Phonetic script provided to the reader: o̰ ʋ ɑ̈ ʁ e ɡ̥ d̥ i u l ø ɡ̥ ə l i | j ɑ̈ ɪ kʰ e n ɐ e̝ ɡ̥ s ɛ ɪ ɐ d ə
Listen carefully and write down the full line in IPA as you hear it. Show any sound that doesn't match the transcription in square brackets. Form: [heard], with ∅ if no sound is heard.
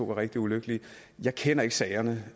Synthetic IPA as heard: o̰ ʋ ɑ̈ ʁ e ɡ̥ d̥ i u l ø ɡ̥ ə l i | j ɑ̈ ɪ kʰ e n ɐ e̝ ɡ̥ s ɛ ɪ ɐ [n] ə